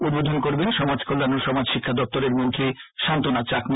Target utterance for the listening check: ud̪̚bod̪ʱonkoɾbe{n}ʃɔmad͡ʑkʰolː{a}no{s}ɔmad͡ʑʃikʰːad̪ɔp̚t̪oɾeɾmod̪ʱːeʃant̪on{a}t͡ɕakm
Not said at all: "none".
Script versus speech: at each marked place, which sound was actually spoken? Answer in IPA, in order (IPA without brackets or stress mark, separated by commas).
n, a, ʃ, a